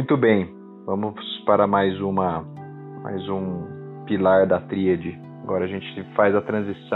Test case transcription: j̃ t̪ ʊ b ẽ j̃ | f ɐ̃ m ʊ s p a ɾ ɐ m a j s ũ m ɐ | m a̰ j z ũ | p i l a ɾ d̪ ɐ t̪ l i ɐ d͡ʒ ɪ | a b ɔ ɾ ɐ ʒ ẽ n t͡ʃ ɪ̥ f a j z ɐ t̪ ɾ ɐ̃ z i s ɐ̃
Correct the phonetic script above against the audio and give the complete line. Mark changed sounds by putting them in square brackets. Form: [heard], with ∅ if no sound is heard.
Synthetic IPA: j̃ t̪ ʊ b ẽ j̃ | [v] ɐ̃ m ʊ s p a ɾ ɐ m a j [z] ũ m ɐ | m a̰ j z ũ | p i l a ɾ d̪ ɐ t̪ [ɾ] i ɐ d͡ʒ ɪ | a [ɡ] ɔ ɾ ɐ ʒ ẽ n t͡ʃ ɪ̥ f a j z ɐ t̪ ɾ ɐ̃ z i s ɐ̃